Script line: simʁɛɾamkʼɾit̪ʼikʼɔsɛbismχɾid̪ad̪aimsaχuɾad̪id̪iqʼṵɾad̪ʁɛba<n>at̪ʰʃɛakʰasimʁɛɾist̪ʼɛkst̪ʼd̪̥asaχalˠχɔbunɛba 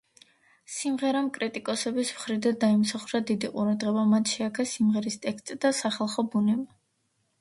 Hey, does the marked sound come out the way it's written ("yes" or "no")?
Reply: no